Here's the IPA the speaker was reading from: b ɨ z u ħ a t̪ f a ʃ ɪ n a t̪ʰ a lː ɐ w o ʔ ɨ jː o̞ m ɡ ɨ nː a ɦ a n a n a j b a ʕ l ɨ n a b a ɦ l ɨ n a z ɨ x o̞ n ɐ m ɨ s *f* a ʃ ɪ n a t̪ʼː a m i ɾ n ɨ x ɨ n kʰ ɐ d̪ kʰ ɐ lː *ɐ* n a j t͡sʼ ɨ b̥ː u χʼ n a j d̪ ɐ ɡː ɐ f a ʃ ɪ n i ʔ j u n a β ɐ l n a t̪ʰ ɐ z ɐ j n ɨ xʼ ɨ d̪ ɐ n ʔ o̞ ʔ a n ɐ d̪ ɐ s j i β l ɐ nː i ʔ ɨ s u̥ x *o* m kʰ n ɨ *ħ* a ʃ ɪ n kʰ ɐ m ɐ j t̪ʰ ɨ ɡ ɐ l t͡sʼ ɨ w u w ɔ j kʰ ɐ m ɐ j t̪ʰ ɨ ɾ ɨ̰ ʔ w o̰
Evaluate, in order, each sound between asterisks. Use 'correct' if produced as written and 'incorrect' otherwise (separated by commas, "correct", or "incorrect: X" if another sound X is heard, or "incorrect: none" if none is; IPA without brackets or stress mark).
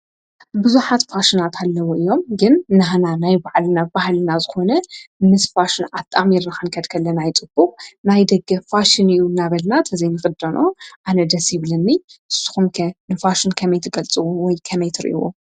correct, correct, incorrect: u, incorrect: f